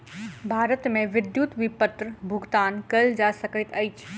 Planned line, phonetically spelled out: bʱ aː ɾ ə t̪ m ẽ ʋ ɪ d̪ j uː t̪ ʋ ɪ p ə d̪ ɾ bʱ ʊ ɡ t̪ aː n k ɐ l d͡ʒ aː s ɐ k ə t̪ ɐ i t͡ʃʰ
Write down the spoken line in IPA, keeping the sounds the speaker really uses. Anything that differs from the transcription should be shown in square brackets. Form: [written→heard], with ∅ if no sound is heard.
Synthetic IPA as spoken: bʱ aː ɾ ə t̪ m ẽ ʋ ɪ d̪ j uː t̪ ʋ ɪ p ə [d̪→t̪] ɾ bʱ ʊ ɡ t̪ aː n k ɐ l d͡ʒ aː s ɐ k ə t̪ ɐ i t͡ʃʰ